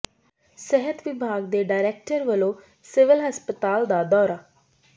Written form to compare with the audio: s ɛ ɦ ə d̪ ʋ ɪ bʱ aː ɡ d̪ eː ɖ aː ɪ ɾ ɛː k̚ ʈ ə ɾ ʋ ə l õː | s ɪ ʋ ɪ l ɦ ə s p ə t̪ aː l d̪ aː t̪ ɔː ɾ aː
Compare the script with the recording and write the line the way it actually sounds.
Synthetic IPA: s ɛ ɦ ə t̪ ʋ ɪ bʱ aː ɡ d̪ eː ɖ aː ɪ ɾ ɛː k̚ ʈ ə ɾ ʋ ə l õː | s ɪ ʋ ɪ l ɦ ə s p ə t̪ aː l d̪ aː d̪ ɔː ɾ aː